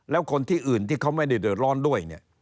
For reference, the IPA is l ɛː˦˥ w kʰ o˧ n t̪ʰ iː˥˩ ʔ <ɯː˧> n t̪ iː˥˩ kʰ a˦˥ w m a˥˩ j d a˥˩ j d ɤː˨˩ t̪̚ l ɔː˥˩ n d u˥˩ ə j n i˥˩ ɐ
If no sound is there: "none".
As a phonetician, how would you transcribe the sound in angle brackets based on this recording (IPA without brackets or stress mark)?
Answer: ɯː˨˩